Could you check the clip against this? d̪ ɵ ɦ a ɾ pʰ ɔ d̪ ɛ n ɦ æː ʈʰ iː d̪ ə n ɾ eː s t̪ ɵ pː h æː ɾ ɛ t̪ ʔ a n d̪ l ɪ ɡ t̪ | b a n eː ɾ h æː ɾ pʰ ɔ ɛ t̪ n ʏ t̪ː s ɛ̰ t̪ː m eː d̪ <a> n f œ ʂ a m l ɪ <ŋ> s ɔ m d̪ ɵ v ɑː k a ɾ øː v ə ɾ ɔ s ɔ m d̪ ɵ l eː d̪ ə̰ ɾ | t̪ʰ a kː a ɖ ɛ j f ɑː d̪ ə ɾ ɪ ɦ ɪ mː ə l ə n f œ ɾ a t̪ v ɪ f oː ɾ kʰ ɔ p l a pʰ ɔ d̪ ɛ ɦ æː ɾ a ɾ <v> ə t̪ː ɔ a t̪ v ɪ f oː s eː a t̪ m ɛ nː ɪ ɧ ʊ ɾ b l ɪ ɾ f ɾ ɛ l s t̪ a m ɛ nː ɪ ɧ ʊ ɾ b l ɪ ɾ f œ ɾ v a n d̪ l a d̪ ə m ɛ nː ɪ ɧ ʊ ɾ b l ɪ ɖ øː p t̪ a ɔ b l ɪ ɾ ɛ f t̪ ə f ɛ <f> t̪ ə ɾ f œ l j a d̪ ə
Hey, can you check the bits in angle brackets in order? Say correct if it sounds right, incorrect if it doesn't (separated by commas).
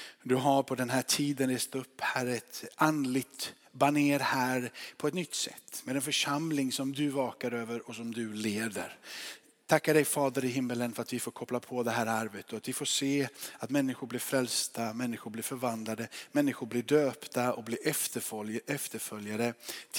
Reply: incorrect, correct, correct, correct